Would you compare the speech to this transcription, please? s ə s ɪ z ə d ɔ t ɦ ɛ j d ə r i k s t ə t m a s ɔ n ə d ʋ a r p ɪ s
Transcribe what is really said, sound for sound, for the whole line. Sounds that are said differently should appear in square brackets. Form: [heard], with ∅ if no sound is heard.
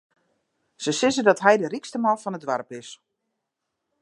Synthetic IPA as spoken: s ə s ɪ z ə d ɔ t ɦ ɛ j d ə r i k s t ə [∅] m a [f] ɔ n ə d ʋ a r p ɪ s